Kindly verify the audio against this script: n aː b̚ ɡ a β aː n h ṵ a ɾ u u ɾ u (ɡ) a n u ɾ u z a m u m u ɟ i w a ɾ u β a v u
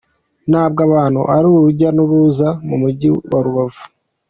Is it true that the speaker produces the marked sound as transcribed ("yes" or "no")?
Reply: no